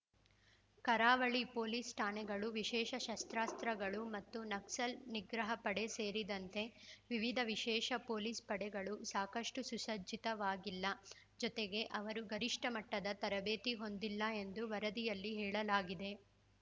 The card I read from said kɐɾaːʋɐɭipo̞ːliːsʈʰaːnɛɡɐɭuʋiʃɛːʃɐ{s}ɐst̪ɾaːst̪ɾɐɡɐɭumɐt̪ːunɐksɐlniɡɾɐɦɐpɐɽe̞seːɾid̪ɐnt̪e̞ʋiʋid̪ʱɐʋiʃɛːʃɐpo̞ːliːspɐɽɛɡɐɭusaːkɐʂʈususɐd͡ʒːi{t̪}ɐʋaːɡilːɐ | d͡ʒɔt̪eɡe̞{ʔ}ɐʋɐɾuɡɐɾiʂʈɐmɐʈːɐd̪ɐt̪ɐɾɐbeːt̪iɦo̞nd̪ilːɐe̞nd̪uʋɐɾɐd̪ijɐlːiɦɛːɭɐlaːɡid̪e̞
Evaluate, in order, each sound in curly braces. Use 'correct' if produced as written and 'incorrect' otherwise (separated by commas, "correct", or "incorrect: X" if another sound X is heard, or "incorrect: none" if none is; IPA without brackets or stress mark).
incorrect: ʃ, correct, correct